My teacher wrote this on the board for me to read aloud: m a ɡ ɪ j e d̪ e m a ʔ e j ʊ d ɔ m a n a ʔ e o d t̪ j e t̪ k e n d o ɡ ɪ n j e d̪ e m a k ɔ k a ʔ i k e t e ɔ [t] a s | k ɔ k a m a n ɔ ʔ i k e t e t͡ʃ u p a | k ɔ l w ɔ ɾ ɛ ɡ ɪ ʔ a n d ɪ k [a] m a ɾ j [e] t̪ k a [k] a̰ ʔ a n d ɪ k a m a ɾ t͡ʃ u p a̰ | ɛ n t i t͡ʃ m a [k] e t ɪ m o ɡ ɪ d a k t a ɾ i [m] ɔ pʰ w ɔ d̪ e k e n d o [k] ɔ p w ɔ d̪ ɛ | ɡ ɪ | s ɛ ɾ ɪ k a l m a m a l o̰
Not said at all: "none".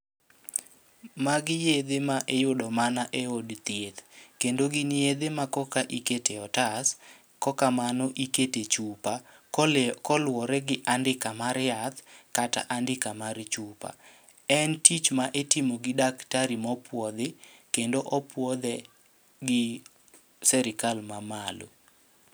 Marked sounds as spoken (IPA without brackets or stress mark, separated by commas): t, a, a, t, ʔ, m, ʔ